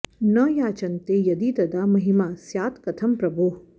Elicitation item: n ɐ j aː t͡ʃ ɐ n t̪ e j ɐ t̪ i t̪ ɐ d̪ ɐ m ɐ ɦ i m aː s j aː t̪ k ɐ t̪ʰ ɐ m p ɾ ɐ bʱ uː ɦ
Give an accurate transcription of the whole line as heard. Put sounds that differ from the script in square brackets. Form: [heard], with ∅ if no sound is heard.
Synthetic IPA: n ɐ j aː t͡ʃ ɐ n t̪ e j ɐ [d̪] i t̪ ɐ d̪ [a] m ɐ ɦ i m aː s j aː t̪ k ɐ t̪ʰ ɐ m p ɾ ɐ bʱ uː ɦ